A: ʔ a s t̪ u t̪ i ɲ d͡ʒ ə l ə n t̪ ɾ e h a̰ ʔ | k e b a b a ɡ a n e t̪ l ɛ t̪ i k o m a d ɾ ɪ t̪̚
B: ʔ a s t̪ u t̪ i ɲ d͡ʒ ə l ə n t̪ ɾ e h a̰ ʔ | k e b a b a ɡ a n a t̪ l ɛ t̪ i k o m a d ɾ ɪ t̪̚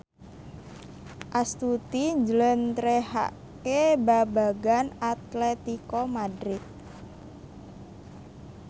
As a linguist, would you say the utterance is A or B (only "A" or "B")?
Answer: B